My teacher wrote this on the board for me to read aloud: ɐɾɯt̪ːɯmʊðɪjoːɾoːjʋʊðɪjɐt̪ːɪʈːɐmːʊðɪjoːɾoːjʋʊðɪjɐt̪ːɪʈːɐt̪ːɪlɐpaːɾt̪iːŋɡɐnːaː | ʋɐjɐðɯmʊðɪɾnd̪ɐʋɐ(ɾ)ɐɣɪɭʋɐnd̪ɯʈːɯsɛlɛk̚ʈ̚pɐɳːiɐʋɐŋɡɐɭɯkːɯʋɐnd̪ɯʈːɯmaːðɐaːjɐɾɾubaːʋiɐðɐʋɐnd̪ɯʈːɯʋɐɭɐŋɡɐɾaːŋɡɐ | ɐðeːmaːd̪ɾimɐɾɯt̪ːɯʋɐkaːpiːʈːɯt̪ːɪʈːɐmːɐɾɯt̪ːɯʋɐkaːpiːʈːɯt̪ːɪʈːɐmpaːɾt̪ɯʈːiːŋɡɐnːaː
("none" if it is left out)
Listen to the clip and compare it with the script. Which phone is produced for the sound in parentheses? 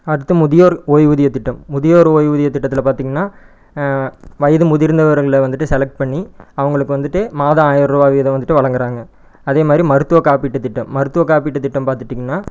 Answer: ɾ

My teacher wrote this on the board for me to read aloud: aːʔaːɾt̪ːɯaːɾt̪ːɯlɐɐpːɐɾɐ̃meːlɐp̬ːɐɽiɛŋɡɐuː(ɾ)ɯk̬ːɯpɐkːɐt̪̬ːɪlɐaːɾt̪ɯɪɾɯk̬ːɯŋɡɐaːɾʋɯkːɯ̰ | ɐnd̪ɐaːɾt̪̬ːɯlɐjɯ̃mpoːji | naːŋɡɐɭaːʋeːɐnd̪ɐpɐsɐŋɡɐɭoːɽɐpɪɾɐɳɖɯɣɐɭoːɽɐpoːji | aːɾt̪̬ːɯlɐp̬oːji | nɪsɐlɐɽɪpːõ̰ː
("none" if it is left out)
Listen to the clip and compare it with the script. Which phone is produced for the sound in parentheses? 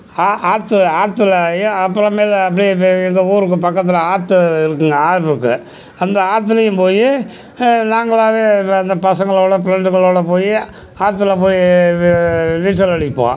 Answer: ɾ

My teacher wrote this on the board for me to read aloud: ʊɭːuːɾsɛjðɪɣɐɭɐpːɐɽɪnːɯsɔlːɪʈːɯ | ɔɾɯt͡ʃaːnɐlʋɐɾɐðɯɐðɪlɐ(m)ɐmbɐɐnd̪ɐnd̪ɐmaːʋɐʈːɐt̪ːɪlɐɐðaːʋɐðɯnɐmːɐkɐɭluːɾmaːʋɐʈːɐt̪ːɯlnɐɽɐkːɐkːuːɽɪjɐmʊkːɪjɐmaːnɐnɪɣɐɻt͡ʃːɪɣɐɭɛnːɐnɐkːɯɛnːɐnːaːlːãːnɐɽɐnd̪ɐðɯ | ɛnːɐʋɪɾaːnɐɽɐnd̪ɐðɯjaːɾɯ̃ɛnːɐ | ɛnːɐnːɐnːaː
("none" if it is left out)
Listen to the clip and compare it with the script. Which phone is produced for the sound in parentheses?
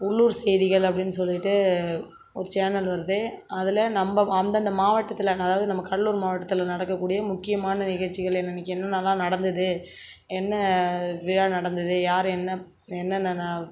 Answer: n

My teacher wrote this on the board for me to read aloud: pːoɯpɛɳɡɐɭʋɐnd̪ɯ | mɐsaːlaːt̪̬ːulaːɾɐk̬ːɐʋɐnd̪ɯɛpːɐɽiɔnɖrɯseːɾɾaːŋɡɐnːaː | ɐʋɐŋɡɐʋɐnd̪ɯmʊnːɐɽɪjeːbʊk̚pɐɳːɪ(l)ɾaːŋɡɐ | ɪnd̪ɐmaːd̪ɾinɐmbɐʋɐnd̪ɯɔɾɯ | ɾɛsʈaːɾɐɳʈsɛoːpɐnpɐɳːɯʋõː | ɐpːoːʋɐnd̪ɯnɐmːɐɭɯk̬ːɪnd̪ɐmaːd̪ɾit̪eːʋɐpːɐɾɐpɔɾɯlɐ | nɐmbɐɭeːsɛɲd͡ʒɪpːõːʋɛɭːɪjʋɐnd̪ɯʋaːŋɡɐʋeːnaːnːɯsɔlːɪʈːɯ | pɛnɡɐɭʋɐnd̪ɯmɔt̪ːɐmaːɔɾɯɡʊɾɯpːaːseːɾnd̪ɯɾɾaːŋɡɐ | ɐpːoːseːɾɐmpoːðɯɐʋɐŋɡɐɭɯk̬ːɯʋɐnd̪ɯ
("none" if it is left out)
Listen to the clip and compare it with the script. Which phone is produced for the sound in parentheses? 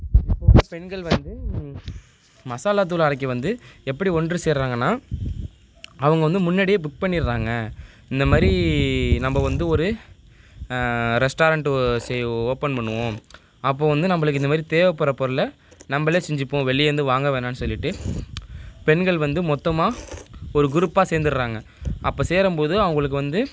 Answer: ɾ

